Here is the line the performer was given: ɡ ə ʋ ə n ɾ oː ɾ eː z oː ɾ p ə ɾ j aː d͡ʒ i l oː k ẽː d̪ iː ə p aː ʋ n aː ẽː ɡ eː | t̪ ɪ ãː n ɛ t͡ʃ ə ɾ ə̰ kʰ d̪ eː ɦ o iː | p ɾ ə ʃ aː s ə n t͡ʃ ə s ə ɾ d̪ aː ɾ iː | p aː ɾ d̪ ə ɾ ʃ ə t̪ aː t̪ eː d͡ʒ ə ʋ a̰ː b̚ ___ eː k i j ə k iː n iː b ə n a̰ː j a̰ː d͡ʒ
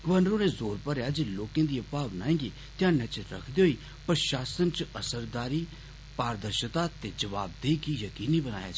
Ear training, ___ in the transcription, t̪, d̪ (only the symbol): d̪